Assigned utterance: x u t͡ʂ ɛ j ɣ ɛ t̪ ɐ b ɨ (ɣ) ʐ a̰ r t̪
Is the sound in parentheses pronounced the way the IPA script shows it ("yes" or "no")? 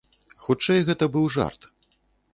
no